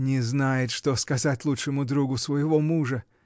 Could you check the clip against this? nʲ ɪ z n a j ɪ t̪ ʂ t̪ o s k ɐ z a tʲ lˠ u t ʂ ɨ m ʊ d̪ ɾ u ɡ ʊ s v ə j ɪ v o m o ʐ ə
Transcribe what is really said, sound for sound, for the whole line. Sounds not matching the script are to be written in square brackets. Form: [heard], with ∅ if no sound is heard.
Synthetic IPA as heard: nʲ ɪ z n a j ɪ t̪ ʂ t̪ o s k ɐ z a tʲ lˠ u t ʂ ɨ m ʊ d̪ ɾ u ɡ ʊ s v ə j ɪ v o m [u] ʐ ə